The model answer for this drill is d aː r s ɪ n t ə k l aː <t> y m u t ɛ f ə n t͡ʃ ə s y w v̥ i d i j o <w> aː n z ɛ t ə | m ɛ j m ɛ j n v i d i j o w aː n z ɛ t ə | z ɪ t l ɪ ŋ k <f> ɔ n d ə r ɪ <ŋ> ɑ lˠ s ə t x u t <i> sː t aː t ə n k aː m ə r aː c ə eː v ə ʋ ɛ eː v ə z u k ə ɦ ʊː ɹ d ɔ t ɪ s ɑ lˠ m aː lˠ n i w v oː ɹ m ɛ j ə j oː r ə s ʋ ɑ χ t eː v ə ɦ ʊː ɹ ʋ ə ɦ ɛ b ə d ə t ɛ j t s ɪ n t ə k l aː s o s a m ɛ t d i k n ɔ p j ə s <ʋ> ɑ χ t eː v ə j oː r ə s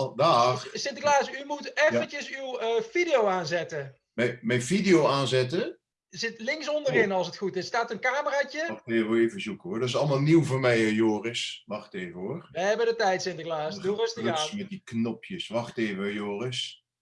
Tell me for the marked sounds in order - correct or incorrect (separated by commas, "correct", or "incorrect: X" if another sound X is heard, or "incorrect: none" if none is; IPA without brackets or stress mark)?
incorrect: s, correct, incorrect: s, incorrect: n, incorrect: ɪ, correct